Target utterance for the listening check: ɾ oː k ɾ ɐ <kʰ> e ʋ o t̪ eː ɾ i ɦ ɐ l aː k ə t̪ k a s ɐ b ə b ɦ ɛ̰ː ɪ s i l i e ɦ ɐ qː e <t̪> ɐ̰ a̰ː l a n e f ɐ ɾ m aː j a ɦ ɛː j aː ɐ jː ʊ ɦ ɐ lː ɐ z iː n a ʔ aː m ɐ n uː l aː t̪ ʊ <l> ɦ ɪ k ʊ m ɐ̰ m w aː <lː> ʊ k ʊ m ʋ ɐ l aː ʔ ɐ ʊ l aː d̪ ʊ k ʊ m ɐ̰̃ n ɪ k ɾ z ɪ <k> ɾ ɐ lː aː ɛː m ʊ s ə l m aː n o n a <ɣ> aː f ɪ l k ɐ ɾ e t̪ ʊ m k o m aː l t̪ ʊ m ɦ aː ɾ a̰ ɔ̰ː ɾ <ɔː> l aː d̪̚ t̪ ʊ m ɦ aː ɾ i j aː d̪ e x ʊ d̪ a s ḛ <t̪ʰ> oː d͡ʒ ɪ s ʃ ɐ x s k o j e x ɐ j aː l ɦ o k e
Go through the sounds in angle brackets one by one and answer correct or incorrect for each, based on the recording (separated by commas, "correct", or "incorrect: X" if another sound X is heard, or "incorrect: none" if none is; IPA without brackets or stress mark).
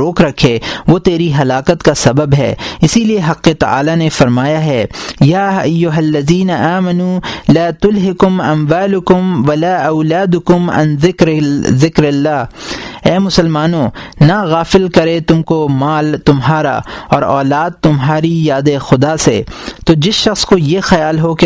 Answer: correct, correct, correct, incorrect: l, correct, correct, correct, incorrect: t̪